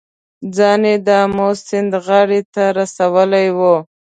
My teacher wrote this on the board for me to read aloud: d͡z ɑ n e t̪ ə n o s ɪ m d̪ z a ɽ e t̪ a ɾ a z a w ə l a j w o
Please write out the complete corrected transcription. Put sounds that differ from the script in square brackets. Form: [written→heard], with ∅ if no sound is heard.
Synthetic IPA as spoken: d͡z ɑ n e [t̪→d̪] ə [n→m] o s ɪ [m→n] d̪ [z→ɣ] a ɽ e t̪ a ɾ a [z→s] a w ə l a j w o